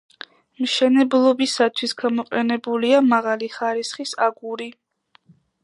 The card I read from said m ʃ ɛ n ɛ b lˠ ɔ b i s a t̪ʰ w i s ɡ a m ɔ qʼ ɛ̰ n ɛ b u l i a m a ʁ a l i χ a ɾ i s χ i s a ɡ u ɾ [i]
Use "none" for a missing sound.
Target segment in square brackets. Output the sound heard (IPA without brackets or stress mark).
i